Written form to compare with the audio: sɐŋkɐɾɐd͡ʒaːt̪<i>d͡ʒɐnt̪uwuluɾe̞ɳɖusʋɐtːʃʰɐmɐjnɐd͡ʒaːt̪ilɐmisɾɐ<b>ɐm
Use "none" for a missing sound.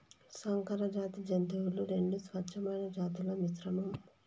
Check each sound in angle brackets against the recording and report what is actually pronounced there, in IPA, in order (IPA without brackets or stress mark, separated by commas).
i, m